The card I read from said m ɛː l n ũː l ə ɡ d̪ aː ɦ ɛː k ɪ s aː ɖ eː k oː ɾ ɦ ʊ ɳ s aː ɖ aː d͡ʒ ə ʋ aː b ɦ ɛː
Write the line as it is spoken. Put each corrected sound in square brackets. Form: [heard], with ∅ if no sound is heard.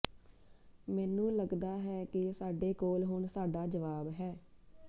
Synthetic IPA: m ɛː [∅] n ũː l ə ɡ d̪ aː ɦ ɛː k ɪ s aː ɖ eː k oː [l] ɦ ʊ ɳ s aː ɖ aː d͡ʒ ə ʋ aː b ɦ ɛː